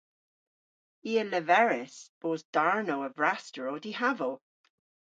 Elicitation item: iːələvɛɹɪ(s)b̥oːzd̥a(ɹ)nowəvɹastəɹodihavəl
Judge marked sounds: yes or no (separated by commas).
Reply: yes, yes